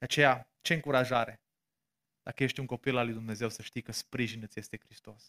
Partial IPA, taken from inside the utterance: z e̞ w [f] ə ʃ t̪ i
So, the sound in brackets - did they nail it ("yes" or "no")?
no